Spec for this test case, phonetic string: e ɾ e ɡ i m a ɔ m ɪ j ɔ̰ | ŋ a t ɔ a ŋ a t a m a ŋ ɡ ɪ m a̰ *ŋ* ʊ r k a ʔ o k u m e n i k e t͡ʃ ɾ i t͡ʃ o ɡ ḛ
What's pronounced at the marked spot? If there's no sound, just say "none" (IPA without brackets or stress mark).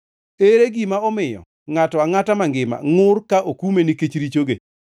ŋ